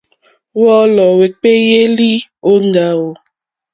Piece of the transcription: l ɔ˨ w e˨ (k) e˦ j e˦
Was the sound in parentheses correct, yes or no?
no